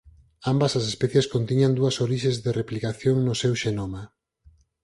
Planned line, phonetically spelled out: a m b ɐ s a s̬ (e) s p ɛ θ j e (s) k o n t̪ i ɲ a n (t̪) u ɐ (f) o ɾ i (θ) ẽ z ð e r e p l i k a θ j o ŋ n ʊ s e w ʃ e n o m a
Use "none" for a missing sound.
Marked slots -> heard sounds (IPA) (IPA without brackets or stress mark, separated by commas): e, s, d̪, s, ʃ